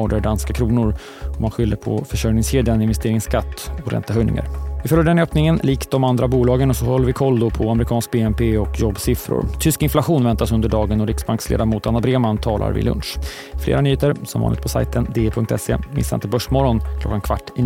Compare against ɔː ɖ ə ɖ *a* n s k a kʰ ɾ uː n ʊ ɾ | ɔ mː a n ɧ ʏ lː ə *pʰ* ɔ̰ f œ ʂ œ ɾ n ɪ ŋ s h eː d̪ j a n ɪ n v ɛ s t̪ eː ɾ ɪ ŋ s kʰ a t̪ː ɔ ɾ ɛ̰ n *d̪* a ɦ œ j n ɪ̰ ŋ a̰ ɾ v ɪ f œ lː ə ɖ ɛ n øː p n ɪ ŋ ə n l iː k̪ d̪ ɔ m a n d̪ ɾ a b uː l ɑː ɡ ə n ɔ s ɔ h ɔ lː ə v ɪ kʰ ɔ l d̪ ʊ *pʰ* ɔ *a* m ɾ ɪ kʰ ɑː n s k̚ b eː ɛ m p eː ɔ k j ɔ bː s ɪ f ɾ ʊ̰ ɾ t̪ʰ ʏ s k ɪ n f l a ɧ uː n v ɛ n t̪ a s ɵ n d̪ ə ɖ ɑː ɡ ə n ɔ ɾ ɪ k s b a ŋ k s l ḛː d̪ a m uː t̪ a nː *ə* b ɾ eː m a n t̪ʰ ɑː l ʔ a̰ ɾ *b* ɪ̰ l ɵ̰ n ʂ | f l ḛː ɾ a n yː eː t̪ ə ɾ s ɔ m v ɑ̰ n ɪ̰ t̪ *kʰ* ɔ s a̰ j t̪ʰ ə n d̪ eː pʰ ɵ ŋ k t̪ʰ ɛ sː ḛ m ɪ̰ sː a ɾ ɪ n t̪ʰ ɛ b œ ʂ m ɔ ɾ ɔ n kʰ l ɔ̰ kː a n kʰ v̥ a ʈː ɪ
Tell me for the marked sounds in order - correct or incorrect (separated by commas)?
correct, correct, incorrect, correct, correct, incorrect, incorrect, incorrect